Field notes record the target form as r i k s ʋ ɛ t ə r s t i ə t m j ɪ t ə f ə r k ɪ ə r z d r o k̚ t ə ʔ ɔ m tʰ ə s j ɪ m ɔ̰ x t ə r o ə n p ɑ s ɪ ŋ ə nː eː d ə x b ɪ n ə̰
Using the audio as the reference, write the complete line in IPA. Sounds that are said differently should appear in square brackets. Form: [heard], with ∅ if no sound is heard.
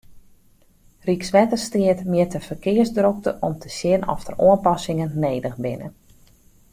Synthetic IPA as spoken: r i k s ʋ ɛ t ə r s t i ə t m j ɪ t ə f ə r k ɪ ə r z d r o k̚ t ə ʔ ɔ m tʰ ə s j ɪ [n] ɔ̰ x t ə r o ə n p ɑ s ɪ ŋ ə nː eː d ə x b ɪ n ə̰